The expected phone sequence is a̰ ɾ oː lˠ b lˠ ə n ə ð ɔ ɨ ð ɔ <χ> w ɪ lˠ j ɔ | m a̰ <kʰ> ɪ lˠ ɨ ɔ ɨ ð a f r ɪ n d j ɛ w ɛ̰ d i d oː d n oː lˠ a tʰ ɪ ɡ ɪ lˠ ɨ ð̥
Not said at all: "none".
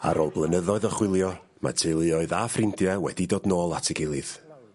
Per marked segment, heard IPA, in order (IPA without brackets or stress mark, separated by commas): χ, tʰ